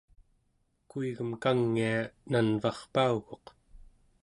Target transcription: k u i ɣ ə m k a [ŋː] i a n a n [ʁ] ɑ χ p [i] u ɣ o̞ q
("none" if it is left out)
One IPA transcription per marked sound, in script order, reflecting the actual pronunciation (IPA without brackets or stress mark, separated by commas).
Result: ŋː, v, a